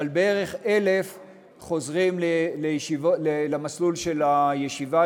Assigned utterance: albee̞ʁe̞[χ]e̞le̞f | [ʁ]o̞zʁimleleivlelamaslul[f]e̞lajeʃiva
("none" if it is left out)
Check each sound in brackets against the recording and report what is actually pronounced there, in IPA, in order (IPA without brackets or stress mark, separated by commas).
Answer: χ, χ, ʃ